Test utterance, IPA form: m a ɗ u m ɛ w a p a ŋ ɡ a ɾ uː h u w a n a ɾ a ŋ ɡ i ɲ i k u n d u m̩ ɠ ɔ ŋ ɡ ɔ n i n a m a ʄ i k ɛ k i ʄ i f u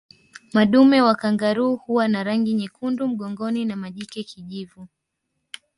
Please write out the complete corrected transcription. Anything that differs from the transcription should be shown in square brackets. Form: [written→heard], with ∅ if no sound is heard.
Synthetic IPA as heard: m a ɗ u m ɛ w a [p→k] a ŋ ɡ a ɾ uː h u w a n a ɾ a ŋ ɡ i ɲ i k u n d u m̩ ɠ ɔ ŋ ɡ ɔ n i n a m a ʄ i k ɛ k i ʄ i [f→v] u